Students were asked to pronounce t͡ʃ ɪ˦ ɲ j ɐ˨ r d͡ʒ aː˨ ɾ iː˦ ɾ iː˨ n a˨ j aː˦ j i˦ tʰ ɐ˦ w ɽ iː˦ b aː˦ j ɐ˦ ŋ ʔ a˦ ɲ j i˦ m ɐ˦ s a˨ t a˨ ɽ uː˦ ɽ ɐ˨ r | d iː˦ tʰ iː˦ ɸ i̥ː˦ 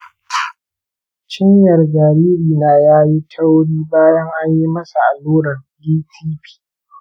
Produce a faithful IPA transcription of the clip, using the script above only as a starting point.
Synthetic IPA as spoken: t͡ʃ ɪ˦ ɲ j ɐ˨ r d͡ʒ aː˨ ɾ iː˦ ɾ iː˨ n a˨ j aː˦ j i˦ tʰ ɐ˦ w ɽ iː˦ b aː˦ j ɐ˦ ŋ ʔ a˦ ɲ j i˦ m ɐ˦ s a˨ ʔ a˨ l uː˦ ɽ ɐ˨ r | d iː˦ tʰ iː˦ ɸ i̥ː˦